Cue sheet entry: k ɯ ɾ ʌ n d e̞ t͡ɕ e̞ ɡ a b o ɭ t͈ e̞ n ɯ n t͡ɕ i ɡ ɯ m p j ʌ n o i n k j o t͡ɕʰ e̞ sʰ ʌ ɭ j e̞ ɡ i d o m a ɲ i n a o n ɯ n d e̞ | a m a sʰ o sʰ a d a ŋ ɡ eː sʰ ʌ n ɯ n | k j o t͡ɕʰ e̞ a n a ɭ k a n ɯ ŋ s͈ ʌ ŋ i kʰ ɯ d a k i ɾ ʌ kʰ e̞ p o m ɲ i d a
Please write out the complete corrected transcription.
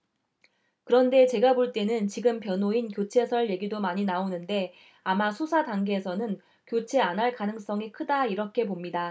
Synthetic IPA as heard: k ɯ ɾ ʌ n d e̞ t͡ɕ e̞ ɡ a b o ɭ t͈ e̞ n ɯ n t͡ɕ i ɡ ɯ m p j ʌ n o i n k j o t͡ɕʰ e̞ sʰ ʌ ɭ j e̞ ɡ i d o m a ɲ i n a o n ɯ n d e̞ | a m a sʰ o sʰ a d a ŋ ɡ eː sʰ ʌ n ɯ n | k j o t͡ɕʰ e̞ a n a ɭ k a n ɯ ŋ s͈ ʌ ŋ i kʰ ɯ d a i ɾ ʌ kʰ e̞ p o m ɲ i d a